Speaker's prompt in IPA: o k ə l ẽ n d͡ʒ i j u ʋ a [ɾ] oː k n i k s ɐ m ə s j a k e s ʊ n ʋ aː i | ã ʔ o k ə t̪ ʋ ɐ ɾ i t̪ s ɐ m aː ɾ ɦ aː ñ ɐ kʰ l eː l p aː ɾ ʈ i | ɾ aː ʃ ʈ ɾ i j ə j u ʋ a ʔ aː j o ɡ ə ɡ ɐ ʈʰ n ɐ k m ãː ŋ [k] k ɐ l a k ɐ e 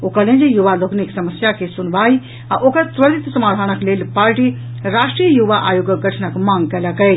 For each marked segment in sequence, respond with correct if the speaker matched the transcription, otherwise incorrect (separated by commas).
incorrect, incorrect